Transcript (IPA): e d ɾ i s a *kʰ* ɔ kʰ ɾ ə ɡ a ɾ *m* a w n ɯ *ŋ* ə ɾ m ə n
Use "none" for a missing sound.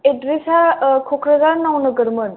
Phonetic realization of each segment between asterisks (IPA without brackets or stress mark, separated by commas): kʰ, n, ɡ